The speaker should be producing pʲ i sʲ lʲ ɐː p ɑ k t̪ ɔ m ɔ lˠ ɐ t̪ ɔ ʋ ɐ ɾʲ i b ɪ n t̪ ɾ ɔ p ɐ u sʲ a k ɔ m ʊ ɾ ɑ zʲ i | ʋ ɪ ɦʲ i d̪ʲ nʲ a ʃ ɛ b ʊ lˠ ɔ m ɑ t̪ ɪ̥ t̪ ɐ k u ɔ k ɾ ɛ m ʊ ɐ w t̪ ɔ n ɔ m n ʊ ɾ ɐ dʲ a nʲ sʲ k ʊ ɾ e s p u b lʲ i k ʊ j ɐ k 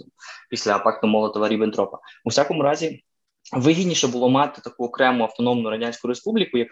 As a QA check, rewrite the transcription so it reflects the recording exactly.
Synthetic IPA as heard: pʲ i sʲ lʲ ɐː p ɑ k t̪ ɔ m ɔ lˠ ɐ t̪ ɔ ʋ ɐ ɾʲ i b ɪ n t̪ ɾ ɔ p ɐ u sʲ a k ɔ m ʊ ɾ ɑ zʲ i | ʋ ɪ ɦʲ i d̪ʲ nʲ i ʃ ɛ b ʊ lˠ ɔ m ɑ t̪ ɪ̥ t̪ ɐ k u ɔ k ɾ ɛ m ʊ ɐ w t̪ ɔ n ɔ m n ʊ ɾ ɐ dʲ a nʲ sʲ k ʊ ɾ e s p u b lʲ i k ʊ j ɐ k